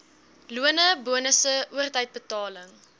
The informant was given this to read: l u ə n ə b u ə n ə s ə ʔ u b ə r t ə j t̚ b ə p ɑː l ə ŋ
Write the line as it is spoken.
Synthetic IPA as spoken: l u ə n ə b u ə n ə s ə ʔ u ə r t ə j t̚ b ə t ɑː l ə ŋ